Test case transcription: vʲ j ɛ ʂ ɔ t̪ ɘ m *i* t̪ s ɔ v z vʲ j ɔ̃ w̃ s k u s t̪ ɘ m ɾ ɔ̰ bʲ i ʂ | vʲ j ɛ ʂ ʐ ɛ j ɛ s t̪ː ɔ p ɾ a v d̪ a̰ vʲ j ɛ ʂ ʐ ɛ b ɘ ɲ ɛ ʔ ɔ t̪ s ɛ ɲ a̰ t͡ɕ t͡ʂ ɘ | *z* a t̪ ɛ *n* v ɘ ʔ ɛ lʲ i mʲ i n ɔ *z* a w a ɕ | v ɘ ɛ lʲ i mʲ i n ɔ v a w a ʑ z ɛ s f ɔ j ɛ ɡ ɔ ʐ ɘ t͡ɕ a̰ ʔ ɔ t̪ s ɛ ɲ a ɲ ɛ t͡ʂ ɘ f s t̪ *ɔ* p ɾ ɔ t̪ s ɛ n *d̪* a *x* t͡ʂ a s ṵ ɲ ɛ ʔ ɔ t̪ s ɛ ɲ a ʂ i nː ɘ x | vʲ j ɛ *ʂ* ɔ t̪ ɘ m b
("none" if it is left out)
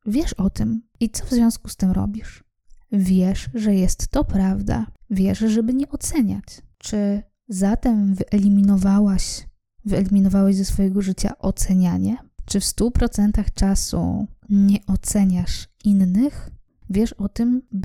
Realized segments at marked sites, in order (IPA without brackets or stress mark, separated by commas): i, z, m, v, u, t̪, x, ʂ